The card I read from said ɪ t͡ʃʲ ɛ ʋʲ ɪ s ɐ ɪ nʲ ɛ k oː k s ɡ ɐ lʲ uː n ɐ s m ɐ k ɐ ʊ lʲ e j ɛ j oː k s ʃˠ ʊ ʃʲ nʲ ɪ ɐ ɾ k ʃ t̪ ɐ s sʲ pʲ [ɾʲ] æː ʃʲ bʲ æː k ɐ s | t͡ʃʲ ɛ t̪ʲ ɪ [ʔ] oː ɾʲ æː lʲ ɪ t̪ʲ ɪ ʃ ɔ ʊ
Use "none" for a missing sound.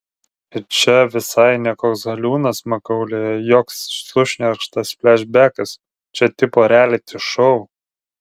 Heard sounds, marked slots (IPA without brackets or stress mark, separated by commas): lʲ, p